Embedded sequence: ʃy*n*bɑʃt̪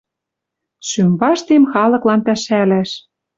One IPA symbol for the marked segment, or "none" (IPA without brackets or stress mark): m